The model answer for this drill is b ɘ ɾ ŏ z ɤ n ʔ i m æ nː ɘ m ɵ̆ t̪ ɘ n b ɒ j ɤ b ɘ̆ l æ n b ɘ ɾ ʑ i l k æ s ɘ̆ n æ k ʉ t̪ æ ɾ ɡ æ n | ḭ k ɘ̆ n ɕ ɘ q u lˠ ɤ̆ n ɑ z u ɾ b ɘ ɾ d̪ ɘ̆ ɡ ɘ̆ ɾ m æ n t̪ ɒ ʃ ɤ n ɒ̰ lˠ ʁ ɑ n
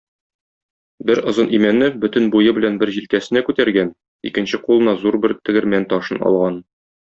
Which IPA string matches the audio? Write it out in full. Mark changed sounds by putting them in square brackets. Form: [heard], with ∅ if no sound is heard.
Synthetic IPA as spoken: b ɘ ɾ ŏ z ɤ n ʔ i m æ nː ɘ [b] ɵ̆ t̪ ɘ n b [u] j ɤ b ɘ̆ l æ n b ɘ ɾ ʑ i l k æ s ɘ̆ n æ k ʉ t̪ æ ɾ ɡ æ n | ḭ k ɘ̆ n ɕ ɘ q u lˠ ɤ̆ n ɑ z u ɾ b ɘ ɾ [t̪] ɘ̆ ɡ ɘ̆ ɾ m æ n t̪ ɒ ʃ ɤ n ɒ̰ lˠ ʁ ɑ n